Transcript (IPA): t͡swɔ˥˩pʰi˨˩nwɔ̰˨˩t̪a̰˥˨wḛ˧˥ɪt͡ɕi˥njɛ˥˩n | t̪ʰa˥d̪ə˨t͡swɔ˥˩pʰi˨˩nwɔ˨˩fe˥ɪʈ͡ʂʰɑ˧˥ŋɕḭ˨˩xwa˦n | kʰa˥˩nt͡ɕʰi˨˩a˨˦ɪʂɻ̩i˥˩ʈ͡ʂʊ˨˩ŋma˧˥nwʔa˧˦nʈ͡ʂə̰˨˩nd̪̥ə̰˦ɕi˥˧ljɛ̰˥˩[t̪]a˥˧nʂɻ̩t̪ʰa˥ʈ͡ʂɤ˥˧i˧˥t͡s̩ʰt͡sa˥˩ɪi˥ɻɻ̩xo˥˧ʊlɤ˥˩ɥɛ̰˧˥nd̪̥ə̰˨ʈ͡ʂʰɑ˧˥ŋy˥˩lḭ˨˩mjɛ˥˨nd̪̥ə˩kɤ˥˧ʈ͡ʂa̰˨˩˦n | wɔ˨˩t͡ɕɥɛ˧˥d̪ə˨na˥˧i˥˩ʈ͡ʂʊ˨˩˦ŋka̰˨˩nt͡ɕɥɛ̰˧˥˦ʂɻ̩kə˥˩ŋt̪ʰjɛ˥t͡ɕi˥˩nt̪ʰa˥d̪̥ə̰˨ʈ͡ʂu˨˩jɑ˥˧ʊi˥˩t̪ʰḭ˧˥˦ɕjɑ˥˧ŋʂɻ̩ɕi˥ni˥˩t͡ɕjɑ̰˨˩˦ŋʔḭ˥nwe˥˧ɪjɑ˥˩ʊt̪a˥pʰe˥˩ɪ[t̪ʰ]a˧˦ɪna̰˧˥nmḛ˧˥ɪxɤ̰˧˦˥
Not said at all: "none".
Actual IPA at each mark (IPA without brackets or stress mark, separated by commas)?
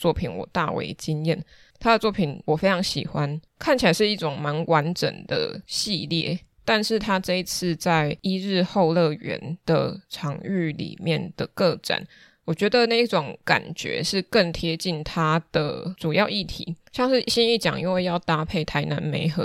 t̪, t̪ʰ